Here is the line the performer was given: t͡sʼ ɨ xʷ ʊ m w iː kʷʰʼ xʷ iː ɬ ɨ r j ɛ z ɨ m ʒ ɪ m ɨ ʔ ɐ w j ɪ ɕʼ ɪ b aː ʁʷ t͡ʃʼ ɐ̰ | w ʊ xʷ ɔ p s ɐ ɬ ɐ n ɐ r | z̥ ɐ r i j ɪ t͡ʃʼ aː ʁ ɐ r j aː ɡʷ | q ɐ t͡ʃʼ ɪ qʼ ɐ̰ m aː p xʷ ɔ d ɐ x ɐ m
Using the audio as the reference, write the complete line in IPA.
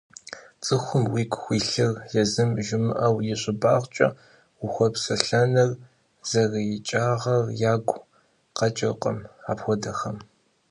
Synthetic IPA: t͡sʼ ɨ xʷ ʊ m w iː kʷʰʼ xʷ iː ɬ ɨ r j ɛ z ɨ m ʒ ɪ m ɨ ʔ ɐ w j ɪ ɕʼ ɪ b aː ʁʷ t͡ʃʼ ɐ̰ | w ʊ xʷ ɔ p s ɐ ɬ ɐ n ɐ r | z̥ ɐ r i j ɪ t͡ʃʼ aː ʁ ɐ r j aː ɡʷ | q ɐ t͡ʃʼ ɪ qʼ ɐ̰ m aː p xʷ ɔ d ɐ x ɐ m